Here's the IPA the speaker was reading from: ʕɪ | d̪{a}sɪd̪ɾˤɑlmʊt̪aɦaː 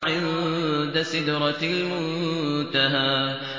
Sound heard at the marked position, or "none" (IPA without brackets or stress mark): a